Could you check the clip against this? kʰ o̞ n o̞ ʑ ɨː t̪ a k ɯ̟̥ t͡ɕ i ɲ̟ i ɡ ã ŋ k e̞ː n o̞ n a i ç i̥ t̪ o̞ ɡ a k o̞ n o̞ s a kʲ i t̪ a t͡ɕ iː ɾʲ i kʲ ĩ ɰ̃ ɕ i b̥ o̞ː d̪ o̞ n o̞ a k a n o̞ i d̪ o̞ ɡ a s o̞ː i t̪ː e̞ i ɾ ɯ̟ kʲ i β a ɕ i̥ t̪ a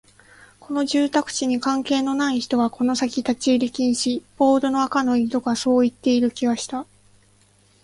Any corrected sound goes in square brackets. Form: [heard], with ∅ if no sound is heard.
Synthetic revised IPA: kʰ o̞ n o̞ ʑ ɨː t̪ a k ɯ̟̥ t͡ɕ i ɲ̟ i [k] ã ŋ k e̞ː n o̞ n a i ç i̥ t̪ o̞ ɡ a k o̞ n o̞ s a kʲ i t̪ a t͡ɕ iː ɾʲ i kʲ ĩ ɰ̃ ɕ i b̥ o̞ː d̪ o̞ n o̞ a k a n o̞ i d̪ o̞ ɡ a s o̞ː i t̪ː e̞ i ɾ ɯ̟ kʲ i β a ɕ i̥ t̪ a